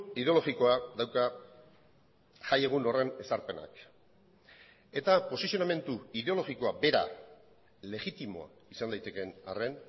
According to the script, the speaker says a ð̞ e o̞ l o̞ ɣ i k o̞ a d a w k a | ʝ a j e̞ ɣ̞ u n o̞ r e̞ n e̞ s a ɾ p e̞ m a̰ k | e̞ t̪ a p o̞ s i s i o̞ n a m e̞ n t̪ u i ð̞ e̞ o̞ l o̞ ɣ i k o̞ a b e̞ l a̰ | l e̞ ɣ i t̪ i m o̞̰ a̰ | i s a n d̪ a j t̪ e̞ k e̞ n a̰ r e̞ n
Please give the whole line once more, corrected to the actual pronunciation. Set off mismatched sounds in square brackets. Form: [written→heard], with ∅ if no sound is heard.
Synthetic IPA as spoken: [a→i] ð̞ e o̞ l o̞ ɣ i k o̞ a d a w k a | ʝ a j e̞ ɣ̞ u n o̞ r e̞ n e̞ s a ɾ p e̞ [m→n] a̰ k | e̞ t̪ a p o̞ s i s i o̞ n a m e̞ n t̪ u i ð̞ e̞ o̞ l o̞ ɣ i k o̞ a b e̞ [l→ɾ] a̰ | l e̞ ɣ i t̪ i m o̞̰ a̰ | i s a n d̪ a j t̪ e̞ k e̞ n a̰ r e̞ n

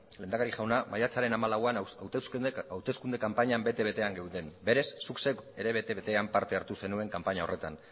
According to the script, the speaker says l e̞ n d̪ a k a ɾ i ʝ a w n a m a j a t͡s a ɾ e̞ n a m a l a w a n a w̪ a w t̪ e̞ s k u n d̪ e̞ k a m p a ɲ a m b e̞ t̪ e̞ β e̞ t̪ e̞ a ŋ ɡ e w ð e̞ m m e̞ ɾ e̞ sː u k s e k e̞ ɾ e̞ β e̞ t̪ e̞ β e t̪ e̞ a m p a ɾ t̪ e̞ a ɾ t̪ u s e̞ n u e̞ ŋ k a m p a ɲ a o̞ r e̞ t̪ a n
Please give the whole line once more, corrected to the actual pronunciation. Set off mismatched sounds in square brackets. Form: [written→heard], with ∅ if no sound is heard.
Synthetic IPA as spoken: l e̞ n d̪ a k a ɾ i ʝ a w n a m a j a t͡s a ɾ e̞ n a m a l a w a n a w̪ a w t̪ e̞ s k u n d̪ e̞ k a m p a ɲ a m b e̞ t̪ e̞ β e̞ t̪ e̞ a ŋ ɡ e w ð e̞ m [m→b] e̞ ɾ e̞ sː u k s e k e̞ ɾ e̞ β e̞ t̪ e̞ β e t̪ e̞ a m p a ɾ t̪ e̞ a ɾ t̪ u s e̞ n u e̞ ŋ k a m p a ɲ a o̞ r e̞ t̪ a n

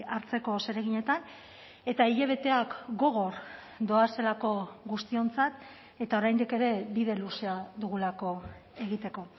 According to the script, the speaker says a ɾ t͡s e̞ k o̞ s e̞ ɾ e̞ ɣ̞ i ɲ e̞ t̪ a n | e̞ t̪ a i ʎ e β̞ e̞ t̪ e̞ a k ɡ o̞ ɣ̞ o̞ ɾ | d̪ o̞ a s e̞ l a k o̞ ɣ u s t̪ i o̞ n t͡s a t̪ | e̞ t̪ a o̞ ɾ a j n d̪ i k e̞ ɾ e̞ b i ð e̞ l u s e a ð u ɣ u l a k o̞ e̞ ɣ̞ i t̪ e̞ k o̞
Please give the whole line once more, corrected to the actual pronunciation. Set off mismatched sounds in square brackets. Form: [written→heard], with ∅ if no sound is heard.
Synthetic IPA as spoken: a ɾ t͡s e̞ k o̞ s e̞ ɾ e̞ ɣ̞ i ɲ e̞ t̪ a n | e̞ t̪ a i ʎ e β̞ e̞ t̪ e̞ a k ɡ o̞ ɣ̞ o̞ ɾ | d̪ o̞ a s e̞ l a k o̞ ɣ u s t̪ i o̞ n t͡s a t̪ | e̞ t̪ a o̞ ɾ a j n d̪ i k e̞ ɾ e̞ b i ð e̞ l u s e a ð u ɣ u l a k o̞ e̞ ɣ̞ i t̪ e̞ k o̞

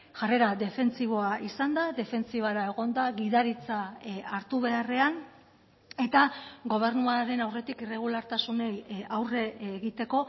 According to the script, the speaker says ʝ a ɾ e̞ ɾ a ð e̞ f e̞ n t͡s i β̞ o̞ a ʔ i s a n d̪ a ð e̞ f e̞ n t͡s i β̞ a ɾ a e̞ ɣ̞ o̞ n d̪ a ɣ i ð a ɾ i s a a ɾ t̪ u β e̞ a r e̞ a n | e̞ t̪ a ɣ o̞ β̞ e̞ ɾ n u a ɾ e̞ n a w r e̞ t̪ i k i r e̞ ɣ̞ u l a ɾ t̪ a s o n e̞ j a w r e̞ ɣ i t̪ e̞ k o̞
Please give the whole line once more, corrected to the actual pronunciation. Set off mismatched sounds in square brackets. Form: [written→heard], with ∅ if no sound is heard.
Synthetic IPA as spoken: ʝ a [ɾ→r] e̞ ɾ a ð e̞ f e̞ n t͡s i β̞ o̞ a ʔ i s a n d̪ a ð e̞ f e̞ n t͡s i β̞ a ɾ a e̞ ɣ̞ o̞ n d̪ a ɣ i ð a ɾ i [s→t͡s] a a ɾ t̪ u β e̞ a r e̞ a n | e̞ t̪ a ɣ o̞ β̞ e̞ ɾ n u a ɾ e̞ n a w r e̞ t̪ i k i r e̞ ɣ̞ u l a ɾ t̪ a s [o→u] n e̞ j a w r e̞ ɣ i t̪ e̞ k o̞

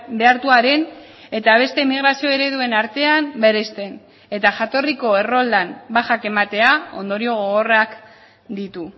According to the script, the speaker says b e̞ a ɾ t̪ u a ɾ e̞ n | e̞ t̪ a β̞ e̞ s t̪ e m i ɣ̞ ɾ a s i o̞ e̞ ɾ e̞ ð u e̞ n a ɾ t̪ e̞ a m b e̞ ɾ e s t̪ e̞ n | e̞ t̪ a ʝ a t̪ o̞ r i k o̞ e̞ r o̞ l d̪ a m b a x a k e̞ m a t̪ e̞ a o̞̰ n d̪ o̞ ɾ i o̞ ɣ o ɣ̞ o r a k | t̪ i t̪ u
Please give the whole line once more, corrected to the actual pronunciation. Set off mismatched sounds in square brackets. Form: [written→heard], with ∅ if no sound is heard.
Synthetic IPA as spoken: b e̞ a ɾ t̪ u a ɾ e̞ n | e̞ t̪ a β̞ e̞ s t̪ e m i ɣ̞ ɾ a s i o̞ e̞ ɾ e̞ ð u e̞ n a ɾ t̪ e̞ a m b e̞ ɾ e s t̪ e̞ n | e̞ t̪ a ʝ a t̪ o̞ r i k o̞ e̞ r o̞ l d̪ a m b a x a k e̞ m a t̪ e̞ a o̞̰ n d̪ o̞ ɾ i o̞ ɣ o ɣ̞ o r a k | [t̪→d̪] i t̪ u

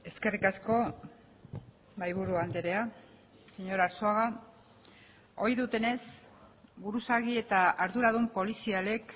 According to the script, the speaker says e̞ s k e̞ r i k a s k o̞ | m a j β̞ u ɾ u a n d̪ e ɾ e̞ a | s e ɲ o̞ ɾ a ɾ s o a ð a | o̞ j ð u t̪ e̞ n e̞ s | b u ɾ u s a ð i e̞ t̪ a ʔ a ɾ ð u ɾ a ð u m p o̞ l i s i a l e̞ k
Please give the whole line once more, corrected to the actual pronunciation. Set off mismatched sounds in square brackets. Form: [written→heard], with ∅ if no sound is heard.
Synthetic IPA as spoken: e̞ s k e̞ r i k a s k o̞ | m a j β̞ u ɾ u a n d̪ e ɾ e̞ a | s e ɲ o̞ ɾ a ɾ s o a [ð→ɣ] a | o̞ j ð u t̪ e̞ n e̞ s | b u ɾ u s a [ð→ɣ] i e̞ t̪ a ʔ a ɾ ð u ɾ a ð u m p o̞ l i s i a l e̞ k

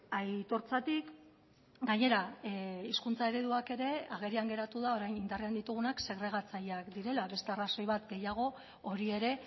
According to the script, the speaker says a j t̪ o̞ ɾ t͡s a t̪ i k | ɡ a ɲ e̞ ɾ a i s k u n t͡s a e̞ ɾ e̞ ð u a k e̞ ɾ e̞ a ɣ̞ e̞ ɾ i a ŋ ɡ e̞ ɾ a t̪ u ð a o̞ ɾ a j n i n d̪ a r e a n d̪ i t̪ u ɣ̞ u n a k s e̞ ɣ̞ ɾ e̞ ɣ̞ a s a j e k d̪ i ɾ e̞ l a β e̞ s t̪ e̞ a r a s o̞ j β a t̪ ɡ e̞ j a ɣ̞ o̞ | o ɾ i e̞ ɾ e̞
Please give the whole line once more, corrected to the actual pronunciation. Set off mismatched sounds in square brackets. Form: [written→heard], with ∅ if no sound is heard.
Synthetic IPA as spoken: a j t̪ o̞ ɾ t͡s a t̪ i k | ɡ a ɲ e̞ ɾ a i s k u n t͡s a e̞ ɾ e̞ ð u a k e̞ ɾ e̞ a ɣ̞ e̞ ɾ i a ŋ ɡ e̞ ɾ a t̪ u ð a o̞ ɾ a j n i n d̪ a r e a n d̪ i t̪ u ɣ̞ u n a k s e̞ ɣ̞ ɾ e̞ ɣ̞ a [s→t͡s] a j [e→a] k d̪ i ɾ e̞ l a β e̞ s t̪ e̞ a r a s o̞ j β a t̪ ɡ e̞ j a ɣ̞ o̞ | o ɾ i e̞ ɾ e̞

